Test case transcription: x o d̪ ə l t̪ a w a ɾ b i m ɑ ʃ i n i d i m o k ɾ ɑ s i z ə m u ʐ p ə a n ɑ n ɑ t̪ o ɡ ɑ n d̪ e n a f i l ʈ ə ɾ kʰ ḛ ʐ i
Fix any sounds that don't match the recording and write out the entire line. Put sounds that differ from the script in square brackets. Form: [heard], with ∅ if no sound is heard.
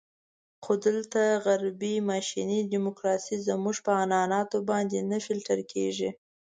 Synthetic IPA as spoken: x o d̪ ə l t̪ a [ɣ] a ɾ b i m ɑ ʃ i n i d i m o k ɾ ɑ s i z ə m u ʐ p ə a n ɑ n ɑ t̪ o [b] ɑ n d̪ e n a f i l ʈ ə ɾ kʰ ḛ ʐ i